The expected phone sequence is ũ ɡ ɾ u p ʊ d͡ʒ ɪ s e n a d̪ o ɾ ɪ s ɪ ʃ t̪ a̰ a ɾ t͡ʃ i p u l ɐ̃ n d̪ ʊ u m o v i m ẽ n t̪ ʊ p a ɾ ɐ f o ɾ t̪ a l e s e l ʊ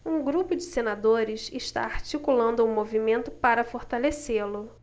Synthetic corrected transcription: ũ ɡ ɾ u p ʊ d͡ʒ ɪ s e n a d̪ o ɾ ɪ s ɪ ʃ t̪ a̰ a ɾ t͡ʃ i k u l ɐ̃ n d̪ ʊ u m o v i m ẽ n t̪ ʊ p a ɾ ɐ f o ɾ t̪ a l e s e l ʊ